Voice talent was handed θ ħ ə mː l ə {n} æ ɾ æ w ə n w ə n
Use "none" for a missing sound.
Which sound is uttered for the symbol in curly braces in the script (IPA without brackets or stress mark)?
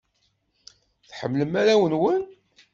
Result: m